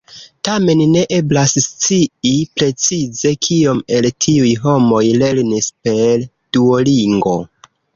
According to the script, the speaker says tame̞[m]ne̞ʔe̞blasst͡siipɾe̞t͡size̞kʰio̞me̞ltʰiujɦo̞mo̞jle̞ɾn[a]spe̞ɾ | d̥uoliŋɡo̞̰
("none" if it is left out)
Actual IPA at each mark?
n, i

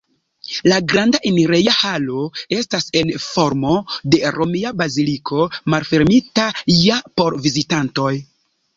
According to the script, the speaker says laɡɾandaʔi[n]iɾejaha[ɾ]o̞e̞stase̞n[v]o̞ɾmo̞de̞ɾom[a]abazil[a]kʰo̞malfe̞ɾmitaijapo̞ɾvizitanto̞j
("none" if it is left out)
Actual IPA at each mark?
n, l, f, i, i

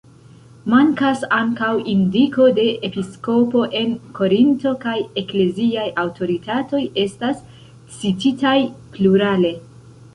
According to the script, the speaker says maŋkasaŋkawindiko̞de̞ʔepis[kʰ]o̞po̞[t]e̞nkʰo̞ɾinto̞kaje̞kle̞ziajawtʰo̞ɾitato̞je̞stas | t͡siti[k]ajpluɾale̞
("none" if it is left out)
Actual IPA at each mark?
k, ʔ, t

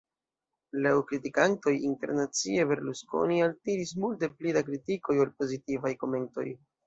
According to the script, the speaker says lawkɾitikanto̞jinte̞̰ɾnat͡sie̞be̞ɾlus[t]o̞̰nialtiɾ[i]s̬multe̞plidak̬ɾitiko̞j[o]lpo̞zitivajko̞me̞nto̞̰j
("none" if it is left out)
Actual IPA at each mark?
k, i, o

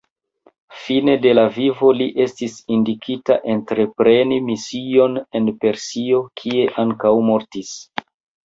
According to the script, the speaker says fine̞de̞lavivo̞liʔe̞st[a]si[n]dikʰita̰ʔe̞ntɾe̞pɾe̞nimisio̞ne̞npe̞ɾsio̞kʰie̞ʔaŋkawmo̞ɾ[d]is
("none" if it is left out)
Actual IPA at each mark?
i, n, t

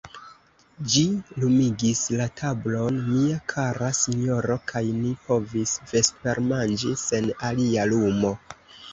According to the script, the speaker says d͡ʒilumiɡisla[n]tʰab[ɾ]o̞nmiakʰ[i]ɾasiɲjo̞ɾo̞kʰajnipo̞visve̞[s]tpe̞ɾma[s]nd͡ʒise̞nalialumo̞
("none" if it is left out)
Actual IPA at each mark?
none, l, a, s, none

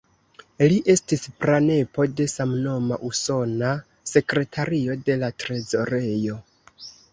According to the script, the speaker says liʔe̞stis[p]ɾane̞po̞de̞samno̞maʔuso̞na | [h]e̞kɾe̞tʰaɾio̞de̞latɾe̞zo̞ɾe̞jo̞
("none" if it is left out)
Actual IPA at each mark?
p, s

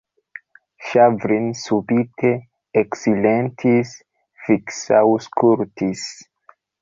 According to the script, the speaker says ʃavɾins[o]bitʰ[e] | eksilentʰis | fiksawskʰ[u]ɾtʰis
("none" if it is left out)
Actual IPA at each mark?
u, e, u

